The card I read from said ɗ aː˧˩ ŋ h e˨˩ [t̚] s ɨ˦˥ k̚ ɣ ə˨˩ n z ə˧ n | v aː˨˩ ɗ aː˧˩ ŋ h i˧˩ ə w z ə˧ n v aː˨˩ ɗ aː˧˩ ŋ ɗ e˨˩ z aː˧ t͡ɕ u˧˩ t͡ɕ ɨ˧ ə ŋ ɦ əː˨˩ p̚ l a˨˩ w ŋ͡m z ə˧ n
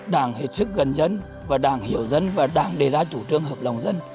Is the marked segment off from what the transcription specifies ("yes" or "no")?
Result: no